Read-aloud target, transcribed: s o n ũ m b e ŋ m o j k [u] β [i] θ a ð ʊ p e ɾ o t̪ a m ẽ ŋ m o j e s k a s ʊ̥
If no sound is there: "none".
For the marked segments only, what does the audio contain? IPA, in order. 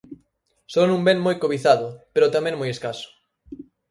o, i

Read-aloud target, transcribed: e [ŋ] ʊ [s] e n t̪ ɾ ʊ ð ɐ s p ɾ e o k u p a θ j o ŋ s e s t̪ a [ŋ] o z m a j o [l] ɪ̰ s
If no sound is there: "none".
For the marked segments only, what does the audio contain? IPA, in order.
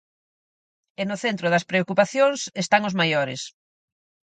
n, θ, ŋ, ɾ

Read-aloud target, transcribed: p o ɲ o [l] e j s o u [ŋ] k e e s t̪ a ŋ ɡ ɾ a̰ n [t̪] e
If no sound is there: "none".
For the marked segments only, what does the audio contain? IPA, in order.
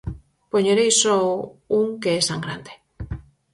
ɾ, ŋ, d̪

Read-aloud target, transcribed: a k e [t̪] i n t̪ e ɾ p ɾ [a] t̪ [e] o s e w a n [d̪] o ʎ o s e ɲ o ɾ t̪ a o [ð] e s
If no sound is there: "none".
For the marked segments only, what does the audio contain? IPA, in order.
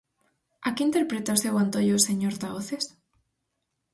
none, e, a, t̪, θ

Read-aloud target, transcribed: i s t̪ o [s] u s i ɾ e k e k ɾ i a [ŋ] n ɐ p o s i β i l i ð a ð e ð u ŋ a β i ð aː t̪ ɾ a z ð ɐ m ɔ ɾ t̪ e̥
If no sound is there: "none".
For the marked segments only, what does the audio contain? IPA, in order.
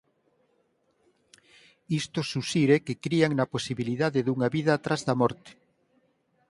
s, ŋ

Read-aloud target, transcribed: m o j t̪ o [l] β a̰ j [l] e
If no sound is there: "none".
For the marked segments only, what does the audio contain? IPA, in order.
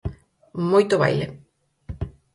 none, l

